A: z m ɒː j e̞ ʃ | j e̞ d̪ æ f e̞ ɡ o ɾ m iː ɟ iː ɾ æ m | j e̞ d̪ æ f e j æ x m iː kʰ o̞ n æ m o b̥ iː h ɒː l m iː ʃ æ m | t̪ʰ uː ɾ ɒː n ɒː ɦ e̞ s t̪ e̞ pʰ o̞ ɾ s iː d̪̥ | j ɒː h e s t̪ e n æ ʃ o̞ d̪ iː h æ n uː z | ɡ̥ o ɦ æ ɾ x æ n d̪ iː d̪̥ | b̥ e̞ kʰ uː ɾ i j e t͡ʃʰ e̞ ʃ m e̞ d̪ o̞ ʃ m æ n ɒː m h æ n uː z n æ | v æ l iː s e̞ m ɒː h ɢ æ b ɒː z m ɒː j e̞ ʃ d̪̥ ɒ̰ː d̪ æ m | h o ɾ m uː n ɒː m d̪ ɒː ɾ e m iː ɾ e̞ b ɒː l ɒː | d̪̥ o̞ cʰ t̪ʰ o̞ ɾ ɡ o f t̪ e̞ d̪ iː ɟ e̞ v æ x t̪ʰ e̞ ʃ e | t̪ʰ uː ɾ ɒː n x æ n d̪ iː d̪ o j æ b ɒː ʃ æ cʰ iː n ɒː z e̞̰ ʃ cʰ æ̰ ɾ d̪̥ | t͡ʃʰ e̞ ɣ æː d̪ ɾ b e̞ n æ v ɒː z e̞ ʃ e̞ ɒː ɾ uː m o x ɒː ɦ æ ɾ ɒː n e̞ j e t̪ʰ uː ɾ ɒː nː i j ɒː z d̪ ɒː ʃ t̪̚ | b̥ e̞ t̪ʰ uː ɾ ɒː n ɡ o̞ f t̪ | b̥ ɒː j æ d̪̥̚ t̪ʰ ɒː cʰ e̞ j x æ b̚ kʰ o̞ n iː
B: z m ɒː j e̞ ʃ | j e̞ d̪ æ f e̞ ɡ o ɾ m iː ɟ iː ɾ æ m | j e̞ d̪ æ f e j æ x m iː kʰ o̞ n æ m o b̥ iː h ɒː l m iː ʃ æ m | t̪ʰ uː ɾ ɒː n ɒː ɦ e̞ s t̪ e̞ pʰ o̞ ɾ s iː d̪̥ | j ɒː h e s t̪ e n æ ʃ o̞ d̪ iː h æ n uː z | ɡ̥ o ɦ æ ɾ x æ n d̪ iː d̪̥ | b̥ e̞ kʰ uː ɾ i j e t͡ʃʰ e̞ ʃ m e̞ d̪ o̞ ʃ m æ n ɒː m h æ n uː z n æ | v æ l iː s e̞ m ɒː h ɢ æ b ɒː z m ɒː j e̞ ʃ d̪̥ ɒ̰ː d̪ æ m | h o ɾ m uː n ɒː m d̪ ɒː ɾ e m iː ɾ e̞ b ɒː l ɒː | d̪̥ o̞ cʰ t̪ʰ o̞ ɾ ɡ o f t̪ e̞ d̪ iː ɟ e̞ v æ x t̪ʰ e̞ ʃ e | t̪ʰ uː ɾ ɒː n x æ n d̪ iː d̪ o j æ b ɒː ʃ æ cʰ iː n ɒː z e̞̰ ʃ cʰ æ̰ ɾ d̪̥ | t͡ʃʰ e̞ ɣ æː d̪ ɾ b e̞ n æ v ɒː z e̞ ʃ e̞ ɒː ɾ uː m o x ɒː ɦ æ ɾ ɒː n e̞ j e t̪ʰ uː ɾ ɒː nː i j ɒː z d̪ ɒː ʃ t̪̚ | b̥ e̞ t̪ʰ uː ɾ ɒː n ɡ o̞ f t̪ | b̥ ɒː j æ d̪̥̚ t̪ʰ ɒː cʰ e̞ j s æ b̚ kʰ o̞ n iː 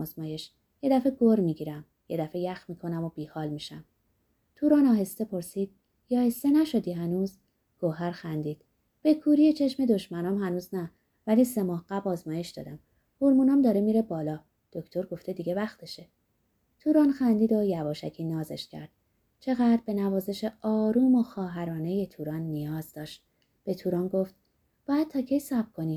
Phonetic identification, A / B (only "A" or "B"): B